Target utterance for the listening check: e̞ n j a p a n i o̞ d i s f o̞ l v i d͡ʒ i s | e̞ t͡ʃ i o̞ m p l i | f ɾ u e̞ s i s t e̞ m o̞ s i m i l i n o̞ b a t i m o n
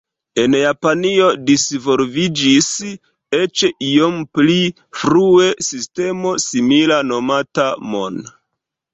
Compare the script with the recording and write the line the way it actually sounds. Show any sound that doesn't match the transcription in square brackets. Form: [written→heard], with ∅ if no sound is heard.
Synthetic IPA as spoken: e̞ n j a p a n i o̞ d i s [f→v] o̞ l v i d͡ʒ i s | e̞ t͡ʃ i o̞ m p l i | f ɾ u e̞ s i s t e̞ m o̞ s i m i l [i→a] n o̞ [b→m] a t [i→a] m o n